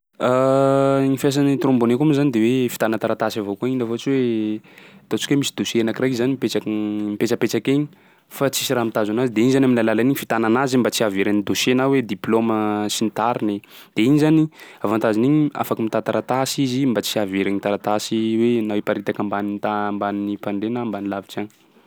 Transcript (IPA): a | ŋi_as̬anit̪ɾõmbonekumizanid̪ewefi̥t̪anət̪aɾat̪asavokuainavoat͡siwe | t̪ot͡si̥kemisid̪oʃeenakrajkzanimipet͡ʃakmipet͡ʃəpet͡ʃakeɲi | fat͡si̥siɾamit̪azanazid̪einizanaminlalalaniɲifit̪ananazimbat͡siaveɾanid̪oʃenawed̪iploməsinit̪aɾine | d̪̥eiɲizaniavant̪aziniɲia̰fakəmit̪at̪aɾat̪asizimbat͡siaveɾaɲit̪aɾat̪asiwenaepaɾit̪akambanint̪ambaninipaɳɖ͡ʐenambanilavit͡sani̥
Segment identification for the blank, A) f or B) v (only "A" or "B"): A